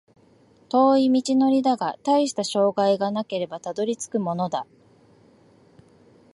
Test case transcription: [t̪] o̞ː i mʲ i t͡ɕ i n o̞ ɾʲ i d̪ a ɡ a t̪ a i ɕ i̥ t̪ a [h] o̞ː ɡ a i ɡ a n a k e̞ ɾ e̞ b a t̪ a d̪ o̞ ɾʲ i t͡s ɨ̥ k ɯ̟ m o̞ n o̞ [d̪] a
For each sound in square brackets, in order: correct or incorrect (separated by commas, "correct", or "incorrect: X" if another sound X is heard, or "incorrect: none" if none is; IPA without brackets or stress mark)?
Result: correct, incorrect: ɕ, correct